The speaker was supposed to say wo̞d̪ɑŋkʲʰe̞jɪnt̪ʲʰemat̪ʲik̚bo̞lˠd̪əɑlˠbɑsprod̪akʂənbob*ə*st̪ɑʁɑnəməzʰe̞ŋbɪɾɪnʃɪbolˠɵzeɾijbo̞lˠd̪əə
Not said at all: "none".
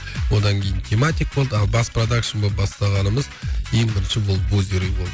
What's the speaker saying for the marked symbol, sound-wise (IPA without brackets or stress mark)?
ɑ